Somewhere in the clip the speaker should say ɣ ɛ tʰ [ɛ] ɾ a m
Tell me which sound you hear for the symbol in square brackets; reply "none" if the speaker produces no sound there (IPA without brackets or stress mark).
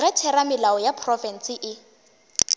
ɛ